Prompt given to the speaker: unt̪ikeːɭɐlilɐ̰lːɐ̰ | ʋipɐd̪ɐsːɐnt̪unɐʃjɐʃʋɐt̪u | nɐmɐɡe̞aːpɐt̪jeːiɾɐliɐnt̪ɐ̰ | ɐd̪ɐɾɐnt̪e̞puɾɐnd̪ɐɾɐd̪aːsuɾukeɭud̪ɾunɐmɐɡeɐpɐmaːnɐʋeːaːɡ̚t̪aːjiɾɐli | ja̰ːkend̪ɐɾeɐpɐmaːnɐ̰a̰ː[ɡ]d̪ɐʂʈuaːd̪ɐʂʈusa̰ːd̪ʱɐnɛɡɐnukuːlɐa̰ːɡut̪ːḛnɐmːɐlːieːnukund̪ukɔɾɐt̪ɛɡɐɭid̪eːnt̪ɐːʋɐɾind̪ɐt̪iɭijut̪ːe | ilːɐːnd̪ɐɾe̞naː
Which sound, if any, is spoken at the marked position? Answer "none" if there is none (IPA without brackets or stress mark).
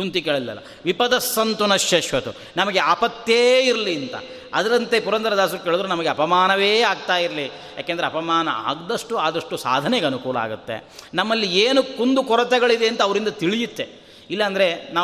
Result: ɡ